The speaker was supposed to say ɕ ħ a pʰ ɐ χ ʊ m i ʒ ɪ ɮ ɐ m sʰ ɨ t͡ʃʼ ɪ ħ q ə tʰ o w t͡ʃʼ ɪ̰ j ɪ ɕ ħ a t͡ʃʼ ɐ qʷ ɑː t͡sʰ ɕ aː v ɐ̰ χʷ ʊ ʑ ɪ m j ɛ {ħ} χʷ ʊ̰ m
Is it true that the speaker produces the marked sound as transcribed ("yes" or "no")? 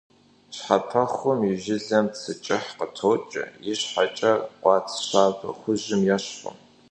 no